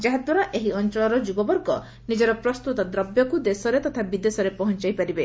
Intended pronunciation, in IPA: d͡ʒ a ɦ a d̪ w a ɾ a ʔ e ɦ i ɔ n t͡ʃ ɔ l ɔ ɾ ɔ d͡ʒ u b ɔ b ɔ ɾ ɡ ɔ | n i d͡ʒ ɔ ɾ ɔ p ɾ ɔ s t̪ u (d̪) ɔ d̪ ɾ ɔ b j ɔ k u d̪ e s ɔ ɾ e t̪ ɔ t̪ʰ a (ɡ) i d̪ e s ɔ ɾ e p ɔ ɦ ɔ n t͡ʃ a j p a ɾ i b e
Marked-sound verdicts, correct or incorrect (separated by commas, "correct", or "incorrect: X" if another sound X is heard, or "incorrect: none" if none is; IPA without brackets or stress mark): incorrect: t̪, incorrect: b